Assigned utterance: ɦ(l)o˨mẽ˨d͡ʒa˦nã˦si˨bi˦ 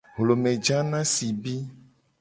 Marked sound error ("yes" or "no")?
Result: no